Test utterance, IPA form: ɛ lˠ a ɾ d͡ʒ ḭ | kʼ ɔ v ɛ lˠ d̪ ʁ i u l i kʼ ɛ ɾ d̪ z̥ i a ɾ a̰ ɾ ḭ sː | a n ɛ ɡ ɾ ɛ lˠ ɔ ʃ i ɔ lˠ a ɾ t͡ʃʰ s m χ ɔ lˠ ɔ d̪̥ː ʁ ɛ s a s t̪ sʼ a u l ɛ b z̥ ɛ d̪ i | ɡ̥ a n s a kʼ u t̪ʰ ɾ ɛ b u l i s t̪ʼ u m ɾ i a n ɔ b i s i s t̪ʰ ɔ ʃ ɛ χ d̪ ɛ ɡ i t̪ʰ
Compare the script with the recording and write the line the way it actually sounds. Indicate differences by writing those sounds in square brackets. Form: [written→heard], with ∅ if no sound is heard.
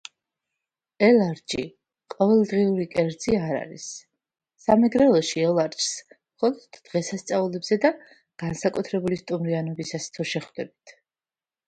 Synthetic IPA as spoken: ɛ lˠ a ɾ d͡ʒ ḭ | [kʼ→qʼ] ɔ v ɛ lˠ d̪ ʁ i u [l→ɾ] i kʼ ɛ ɾ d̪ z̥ i a ɾ a̰ ɾ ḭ sː | a [n→m] ɛ ɡ ɾ ɛ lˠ ɔ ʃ i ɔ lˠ a ɾ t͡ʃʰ s m χ ɔ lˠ ɔ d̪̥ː ʁ ɛ s a s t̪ sʼ a u l ɛ b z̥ ɛ d̪ [i→a] | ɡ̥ a n s a kʼ u t̪ʰ ɾ ɛ b u l i s t̪ʼ u m ɾ i a n ɔ b i s [i→a] s t̪ʰ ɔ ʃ ɛ χ d̪ ɛ [ɡ→b] i t̪ʰ